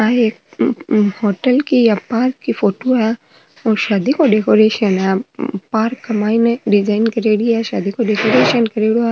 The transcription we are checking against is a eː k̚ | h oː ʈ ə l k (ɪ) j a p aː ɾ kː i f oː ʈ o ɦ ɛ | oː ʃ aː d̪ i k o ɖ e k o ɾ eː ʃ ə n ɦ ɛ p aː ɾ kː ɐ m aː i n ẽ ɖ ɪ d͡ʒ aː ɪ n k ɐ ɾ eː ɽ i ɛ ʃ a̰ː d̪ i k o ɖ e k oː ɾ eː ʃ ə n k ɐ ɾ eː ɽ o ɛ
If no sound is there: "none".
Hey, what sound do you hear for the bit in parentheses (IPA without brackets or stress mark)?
i